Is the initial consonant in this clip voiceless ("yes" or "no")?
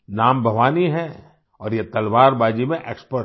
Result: no